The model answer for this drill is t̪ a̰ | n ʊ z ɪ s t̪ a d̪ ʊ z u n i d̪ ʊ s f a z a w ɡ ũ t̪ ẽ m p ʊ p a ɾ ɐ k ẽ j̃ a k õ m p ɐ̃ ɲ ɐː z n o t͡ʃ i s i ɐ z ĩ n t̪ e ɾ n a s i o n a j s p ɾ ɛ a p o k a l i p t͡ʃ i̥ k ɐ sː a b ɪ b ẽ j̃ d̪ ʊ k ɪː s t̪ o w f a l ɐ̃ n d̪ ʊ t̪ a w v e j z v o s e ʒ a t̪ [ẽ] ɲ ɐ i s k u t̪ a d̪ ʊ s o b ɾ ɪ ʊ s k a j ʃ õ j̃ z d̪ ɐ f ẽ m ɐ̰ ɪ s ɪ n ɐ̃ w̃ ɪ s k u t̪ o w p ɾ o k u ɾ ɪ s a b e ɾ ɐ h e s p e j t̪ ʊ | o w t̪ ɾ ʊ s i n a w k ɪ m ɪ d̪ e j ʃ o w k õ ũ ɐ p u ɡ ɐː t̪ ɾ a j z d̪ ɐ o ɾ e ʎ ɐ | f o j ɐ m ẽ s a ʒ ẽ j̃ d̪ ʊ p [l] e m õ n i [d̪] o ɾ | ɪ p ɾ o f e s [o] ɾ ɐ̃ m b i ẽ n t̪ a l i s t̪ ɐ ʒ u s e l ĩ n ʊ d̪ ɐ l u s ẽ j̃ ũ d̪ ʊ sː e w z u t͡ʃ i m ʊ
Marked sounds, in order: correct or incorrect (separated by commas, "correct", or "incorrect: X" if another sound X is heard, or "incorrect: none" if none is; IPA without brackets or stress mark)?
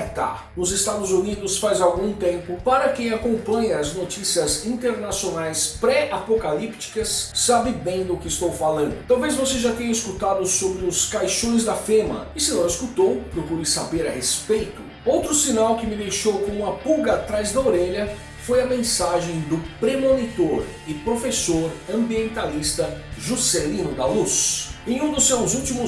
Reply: correct, incorrect: ɾ, incorrect: t̪, correct